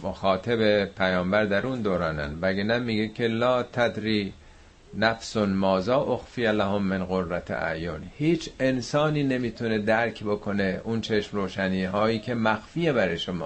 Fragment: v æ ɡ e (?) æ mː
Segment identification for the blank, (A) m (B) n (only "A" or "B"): B